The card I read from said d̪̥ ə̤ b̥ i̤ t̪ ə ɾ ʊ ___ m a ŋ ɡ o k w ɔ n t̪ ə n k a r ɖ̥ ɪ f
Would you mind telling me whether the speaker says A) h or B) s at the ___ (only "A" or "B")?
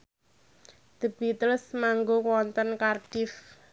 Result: B